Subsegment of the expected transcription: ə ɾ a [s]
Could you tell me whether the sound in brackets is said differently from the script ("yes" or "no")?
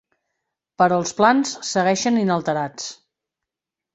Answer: yes